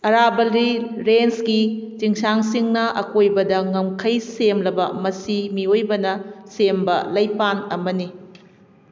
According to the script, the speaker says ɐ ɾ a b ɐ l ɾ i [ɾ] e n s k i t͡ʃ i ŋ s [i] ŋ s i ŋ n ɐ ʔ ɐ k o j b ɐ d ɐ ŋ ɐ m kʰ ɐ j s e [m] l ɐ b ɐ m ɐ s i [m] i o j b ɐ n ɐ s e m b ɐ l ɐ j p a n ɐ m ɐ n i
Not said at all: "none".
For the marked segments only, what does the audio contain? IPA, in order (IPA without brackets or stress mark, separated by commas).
ɾ, a, m, m